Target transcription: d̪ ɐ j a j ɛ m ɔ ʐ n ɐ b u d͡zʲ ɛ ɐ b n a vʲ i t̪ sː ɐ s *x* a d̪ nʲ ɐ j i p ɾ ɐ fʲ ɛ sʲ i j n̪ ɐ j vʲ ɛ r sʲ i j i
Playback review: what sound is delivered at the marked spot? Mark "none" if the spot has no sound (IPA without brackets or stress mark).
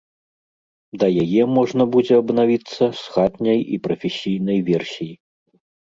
x